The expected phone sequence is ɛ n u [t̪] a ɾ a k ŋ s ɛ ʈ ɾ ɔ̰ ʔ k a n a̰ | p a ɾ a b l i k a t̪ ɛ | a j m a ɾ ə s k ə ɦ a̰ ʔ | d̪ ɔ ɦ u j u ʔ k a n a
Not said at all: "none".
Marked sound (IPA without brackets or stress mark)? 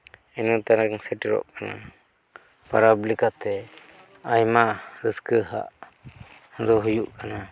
t̪